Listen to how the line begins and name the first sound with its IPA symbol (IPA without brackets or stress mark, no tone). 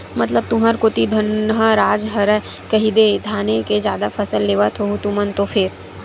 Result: m